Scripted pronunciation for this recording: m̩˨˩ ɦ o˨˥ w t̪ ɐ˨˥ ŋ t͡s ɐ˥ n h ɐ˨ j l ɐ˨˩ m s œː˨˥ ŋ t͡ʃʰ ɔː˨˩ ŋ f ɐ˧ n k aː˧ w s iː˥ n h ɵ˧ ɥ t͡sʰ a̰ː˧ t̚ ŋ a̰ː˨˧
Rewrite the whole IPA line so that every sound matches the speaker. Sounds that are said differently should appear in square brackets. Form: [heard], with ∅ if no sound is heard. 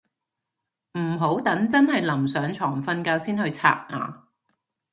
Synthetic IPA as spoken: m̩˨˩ ɦ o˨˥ w t̪ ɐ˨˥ ŋ t͡s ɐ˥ n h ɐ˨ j l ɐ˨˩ m s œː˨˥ ŋ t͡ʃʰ ɔː˨˩ ŋ f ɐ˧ n k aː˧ w s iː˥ n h ɵ˧ ɥ t͡sʰ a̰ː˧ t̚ ŋ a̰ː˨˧